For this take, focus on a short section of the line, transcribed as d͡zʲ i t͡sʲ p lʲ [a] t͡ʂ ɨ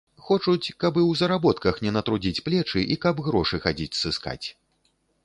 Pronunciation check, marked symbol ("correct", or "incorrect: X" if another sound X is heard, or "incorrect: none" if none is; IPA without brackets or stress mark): incorrect: ɛ